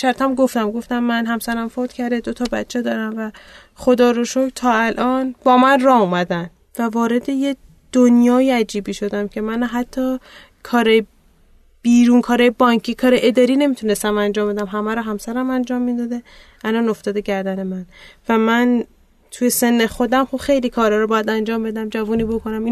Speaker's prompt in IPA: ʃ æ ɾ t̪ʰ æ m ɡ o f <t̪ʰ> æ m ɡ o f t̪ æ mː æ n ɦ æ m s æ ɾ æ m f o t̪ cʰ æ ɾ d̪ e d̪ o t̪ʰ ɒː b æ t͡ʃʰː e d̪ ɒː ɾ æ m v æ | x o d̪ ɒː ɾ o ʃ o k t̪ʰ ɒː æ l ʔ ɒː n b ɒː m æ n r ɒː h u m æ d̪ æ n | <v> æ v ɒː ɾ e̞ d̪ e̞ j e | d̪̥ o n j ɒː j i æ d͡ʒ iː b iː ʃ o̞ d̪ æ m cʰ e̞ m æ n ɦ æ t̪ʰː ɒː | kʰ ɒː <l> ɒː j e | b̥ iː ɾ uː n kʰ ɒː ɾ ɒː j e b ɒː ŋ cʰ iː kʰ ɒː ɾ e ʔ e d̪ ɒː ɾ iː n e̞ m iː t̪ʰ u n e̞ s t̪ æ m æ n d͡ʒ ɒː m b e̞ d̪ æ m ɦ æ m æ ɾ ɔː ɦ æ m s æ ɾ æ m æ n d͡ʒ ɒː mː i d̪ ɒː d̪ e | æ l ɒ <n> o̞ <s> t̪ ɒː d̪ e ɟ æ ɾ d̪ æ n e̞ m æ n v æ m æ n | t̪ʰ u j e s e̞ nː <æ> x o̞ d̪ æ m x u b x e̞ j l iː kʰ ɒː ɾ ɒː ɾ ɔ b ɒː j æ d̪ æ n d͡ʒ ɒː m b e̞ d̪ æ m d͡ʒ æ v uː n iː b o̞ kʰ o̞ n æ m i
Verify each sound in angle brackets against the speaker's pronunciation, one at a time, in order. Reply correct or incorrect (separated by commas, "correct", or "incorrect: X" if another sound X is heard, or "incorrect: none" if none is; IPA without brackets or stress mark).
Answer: incorrect: t̪, correct, incorrect: ɾ, correct, incorrect: f, incorrect: e